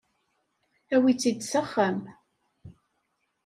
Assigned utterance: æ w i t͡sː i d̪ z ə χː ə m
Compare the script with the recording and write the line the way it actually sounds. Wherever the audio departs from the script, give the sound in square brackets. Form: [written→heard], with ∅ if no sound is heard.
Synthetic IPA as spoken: æ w i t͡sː i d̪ [z→s] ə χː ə m